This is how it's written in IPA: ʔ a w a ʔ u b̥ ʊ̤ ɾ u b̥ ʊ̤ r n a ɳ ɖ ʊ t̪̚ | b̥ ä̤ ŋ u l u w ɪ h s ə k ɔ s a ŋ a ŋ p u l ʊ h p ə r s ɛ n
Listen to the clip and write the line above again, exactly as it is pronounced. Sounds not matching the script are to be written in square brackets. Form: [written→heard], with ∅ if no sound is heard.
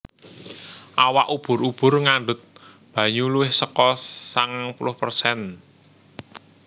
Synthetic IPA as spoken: ʔ a w a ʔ u b̥ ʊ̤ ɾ u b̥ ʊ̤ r [n→ŋ] a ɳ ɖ ʊ t̪̚ | b̥ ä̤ [ŋ→ɲ] u l u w ɪ h s ə k ɔ s a ŋ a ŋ p u l ʊ h p ə r s ɛ n